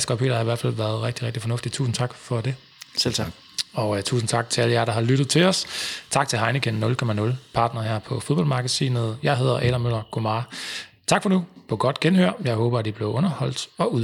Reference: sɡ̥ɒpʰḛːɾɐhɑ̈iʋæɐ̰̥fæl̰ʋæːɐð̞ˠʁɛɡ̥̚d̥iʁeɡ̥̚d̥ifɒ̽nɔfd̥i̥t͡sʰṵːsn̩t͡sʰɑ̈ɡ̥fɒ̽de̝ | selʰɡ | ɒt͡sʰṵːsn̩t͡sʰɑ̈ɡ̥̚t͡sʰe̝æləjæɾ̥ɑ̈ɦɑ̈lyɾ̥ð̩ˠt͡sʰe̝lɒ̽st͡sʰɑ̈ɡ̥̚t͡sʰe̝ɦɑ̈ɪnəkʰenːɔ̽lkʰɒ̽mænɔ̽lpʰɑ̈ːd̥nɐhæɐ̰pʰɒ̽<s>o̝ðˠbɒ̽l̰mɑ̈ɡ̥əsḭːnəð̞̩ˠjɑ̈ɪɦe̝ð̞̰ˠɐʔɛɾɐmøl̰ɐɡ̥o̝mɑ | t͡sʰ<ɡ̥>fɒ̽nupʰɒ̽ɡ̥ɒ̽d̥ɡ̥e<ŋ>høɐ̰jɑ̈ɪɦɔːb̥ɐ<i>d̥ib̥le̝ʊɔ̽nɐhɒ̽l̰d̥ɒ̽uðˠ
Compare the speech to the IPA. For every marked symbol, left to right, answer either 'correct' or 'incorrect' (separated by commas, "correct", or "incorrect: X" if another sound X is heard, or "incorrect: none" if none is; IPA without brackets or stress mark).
incorrect: f, correct, incorrect: n, incorrect: æ